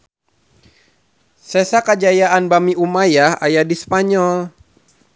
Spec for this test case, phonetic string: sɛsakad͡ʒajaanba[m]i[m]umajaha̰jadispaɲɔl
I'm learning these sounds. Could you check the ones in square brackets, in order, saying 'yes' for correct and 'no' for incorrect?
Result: yes, no

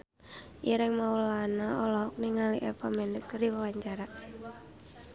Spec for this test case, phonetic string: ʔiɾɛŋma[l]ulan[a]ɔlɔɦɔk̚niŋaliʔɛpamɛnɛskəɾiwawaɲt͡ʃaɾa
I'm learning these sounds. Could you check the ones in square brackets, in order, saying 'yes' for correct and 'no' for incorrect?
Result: no, yes

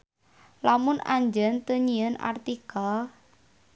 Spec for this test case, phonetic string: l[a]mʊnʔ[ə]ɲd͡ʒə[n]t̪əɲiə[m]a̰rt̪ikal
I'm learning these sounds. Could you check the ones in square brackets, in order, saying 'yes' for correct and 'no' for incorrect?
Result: yes, no, yes, no

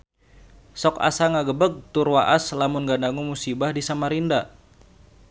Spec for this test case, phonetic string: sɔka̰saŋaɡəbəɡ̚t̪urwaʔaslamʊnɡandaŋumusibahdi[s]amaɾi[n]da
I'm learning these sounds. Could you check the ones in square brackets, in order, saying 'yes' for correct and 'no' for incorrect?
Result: yes, yes

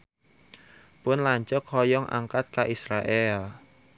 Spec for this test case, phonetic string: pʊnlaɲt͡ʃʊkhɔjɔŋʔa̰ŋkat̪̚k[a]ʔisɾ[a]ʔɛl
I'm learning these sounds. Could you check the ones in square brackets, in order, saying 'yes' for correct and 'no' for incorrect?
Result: yes, yes

